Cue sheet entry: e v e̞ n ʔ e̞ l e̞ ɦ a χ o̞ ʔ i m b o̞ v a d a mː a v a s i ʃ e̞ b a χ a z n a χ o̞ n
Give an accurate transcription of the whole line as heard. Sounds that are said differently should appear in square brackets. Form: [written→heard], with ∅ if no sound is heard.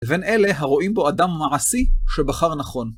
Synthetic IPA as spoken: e v e̞ n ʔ e̞ l e̞ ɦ a [χ→ʁ] o̞ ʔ i m b o̞ [v→∅] a d a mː a [v→ʕ] a s i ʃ e̞ b a χ a [z→ʁ] n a χ o̞ n